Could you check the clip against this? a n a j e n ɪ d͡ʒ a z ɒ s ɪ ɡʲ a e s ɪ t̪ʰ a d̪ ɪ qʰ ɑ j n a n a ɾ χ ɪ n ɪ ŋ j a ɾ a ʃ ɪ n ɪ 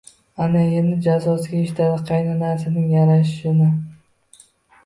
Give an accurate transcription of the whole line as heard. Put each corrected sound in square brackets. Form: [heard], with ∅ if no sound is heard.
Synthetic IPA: a n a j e n ɪ d͡ʒ a z ɒ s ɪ ɡʲ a e [ʃ] ɪ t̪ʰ a d̪ ɪ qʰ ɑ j n a n a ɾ [s] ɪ n ɪ ŋ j a ɾ a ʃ ɪ n ɪ